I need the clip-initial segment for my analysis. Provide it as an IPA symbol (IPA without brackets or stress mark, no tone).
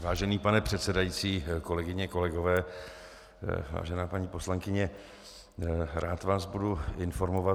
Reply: v